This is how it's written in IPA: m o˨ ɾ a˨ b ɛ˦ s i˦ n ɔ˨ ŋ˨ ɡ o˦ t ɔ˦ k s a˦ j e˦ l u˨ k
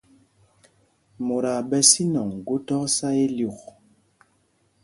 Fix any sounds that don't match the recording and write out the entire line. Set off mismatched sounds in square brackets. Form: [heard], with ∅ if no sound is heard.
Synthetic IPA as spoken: m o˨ ɾ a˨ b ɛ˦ s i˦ n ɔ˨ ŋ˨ ɡ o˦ t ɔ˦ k s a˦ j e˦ l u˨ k

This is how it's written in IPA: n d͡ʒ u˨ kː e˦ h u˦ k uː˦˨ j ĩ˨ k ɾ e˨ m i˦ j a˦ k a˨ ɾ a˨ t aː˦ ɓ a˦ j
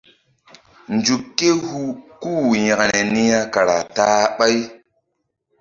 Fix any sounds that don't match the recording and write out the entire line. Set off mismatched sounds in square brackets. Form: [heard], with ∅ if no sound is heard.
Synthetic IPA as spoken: n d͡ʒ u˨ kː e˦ h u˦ k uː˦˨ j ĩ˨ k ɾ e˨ [n] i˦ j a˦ k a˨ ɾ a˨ t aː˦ ɓ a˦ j

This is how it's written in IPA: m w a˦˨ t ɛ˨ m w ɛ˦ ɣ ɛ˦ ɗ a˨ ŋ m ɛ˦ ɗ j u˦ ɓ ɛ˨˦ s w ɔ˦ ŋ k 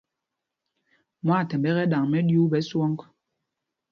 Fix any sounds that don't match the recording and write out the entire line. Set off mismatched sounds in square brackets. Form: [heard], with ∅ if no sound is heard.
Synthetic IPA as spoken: m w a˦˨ t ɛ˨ m [b] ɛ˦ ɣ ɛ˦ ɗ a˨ ŋ m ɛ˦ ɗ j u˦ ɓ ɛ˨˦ s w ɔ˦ ŋ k

